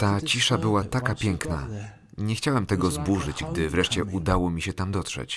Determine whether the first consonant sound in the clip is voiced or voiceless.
voiceless